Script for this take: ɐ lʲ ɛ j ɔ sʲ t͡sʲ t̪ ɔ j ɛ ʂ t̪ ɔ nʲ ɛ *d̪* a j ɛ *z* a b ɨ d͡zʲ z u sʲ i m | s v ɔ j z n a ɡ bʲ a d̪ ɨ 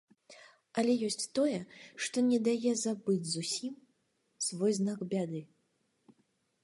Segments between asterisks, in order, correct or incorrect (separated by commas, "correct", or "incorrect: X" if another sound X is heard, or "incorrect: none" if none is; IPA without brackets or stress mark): correct, correct